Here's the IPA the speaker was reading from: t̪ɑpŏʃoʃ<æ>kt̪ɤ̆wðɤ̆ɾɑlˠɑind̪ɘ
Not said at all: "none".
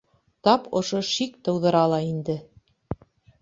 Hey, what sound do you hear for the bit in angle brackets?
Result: i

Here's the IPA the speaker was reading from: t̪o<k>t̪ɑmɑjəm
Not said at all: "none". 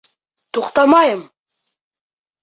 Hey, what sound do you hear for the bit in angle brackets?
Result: q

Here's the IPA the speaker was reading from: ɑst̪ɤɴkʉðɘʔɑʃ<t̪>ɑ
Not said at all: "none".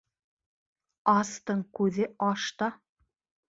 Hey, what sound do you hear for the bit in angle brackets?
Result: t̪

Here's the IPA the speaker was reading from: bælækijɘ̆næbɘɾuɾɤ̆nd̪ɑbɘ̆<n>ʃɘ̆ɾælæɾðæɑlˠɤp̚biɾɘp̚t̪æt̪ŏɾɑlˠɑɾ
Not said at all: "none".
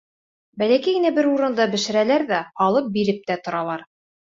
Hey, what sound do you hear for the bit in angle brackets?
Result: none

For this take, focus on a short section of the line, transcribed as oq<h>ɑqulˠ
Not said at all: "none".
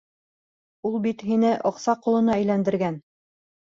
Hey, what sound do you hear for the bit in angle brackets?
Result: s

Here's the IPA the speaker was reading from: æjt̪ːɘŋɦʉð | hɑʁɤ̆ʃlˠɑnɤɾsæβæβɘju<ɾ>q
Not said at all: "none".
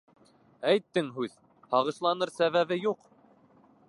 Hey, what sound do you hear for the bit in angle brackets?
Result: none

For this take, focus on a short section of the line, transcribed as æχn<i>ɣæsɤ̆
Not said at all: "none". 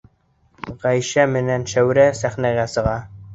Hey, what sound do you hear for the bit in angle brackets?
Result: æ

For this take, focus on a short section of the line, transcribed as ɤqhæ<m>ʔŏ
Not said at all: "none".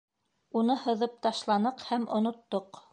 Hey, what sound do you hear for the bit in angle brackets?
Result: m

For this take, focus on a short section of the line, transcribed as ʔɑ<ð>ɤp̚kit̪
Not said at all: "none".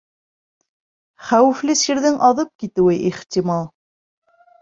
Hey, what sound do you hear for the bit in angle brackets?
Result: ð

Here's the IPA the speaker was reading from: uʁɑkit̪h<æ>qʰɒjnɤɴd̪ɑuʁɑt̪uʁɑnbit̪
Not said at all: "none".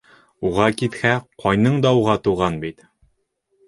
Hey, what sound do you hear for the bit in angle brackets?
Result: æ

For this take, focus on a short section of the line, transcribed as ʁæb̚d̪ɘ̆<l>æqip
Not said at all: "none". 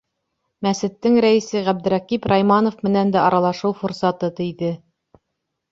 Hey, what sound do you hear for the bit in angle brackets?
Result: ɾ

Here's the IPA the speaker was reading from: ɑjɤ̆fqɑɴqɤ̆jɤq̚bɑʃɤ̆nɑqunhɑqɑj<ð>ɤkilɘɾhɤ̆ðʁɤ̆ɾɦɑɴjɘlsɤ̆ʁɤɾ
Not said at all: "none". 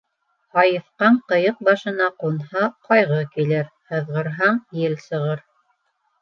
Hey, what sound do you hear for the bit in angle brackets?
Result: ʁ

